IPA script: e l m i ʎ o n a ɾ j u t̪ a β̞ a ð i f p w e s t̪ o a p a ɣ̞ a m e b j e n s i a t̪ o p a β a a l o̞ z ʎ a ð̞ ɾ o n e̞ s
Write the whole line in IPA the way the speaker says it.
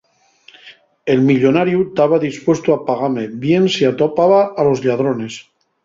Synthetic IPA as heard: e l m i ʎ o n a ɾ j u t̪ a β̞ a ð i s p w e s t̪ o a p a ɣ̞ a m e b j e n s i a t̪ o p a β a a l o̞ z ʎ a ð̞ ɾ o n e̞ s

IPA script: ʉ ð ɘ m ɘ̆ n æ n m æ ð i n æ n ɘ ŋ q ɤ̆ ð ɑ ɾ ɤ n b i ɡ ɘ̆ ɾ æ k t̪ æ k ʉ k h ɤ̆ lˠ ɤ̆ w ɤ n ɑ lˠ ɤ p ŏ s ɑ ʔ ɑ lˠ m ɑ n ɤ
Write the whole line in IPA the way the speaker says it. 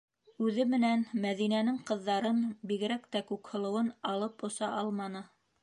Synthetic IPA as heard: ʉ ð ɘ m ɘ̆ n æ n m æ ð i n æ n ɘ ŋ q ɤ̆ ðː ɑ ɾ ɤ n b i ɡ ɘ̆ ɾ æ k t̪ æ k ʉ k h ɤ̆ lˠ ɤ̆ w ɤ n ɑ lˠ ɤ p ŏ s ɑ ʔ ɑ lˠ m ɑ n ɤ

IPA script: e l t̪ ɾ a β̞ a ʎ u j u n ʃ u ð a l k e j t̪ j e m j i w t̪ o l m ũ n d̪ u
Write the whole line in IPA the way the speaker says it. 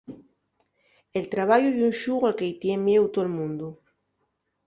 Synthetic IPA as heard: e l t̪ ɾ a β̞ a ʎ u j u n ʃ u ɣ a l k e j t̪ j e m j e w t̪ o l m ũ n d̪ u

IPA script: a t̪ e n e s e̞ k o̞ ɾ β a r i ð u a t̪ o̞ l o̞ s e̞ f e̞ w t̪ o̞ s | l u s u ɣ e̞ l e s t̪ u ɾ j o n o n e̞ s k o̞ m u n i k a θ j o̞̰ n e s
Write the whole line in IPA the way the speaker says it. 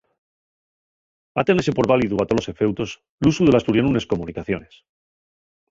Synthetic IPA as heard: a t̪ e n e s e̞ p o̞ ɾ β a l i ð u a t̪ o̞ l o̞ s e̞ f e̞ w t̪ o̞ s | l u s u ð e̞ l a s t̪ u ɾ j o n u n e̞ s k o̞ m u n i k a θ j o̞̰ n e s

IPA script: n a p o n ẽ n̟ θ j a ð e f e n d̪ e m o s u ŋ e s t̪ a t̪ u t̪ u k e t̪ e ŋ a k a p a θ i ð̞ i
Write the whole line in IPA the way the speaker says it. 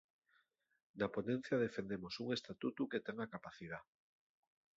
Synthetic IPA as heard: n a p o n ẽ n̟ θ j a ð e f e n d̪ e m o s u ŋ e s t̪ a t̪ u t̪ u k e t̪ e ŋ a k a p a θ i ð̞ a

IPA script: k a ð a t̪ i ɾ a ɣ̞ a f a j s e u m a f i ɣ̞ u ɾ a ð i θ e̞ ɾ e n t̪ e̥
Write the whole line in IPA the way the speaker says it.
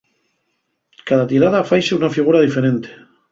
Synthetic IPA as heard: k a ð a t̪ i ɾ a ð̞ a f a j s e u n a f i ɣ̞ u ɾ a ð i f e̞ ɾ e n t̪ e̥

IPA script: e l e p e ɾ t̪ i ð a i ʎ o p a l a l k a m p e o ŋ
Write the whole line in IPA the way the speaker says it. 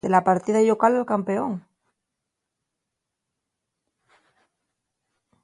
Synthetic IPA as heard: e l a p a ɾ t̪ i ð a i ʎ o k a l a l k a m p e o ŋ

